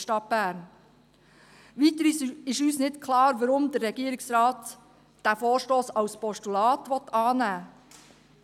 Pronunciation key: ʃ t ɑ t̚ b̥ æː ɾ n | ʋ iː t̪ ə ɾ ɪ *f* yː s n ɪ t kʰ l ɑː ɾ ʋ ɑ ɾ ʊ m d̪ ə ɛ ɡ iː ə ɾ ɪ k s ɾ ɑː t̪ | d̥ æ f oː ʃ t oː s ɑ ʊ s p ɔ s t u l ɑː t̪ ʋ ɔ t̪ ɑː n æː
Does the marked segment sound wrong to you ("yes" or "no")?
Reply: yes